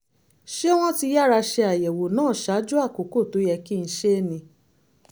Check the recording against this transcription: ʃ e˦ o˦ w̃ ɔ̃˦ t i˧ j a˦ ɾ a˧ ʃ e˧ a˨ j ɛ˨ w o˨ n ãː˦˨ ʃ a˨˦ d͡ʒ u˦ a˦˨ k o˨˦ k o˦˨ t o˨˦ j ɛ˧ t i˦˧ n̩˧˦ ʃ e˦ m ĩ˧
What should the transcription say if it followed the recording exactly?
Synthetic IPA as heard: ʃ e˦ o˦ w̃ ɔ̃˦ t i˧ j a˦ ɾ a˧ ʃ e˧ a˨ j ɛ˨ w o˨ n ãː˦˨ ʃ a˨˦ d͡ʒ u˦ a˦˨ k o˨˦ k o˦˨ t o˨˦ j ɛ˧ k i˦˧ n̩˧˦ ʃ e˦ n ĩ˧